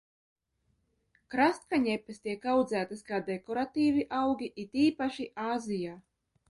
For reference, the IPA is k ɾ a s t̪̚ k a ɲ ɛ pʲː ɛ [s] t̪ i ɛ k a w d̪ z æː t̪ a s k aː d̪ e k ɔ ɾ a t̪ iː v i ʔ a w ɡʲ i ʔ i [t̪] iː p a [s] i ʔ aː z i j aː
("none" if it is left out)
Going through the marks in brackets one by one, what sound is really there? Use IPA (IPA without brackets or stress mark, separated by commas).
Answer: s, t̪, ʃ